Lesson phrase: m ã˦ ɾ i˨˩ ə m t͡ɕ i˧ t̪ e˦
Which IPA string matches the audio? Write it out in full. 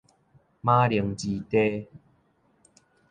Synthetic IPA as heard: m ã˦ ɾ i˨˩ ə ŋ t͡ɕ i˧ t̪ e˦